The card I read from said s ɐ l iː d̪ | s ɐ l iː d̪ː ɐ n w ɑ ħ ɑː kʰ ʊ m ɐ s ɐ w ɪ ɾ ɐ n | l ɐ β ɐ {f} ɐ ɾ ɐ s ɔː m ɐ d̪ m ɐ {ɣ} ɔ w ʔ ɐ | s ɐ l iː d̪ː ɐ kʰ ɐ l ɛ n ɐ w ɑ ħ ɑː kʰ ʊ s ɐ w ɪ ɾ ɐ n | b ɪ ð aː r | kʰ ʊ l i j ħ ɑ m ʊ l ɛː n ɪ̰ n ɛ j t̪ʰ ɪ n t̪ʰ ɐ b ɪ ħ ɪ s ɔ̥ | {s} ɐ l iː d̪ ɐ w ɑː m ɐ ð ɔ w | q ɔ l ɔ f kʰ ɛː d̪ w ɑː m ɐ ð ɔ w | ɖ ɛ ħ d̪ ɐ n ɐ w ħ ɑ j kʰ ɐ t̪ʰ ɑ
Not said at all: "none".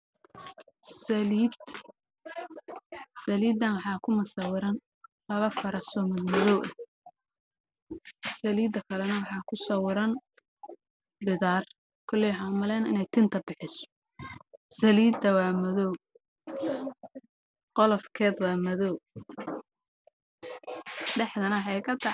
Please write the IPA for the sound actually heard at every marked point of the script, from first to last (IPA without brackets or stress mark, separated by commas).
f, ð, s